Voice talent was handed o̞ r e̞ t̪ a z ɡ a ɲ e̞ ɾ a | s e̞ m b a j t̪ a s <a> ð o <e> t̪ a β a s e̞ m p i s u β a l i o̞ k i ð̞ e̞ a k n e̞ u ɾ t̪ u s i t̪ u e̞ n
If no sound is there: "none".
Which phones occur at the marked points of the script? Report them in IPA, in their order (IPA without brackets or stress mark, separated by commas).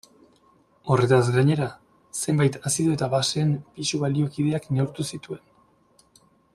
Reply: i, e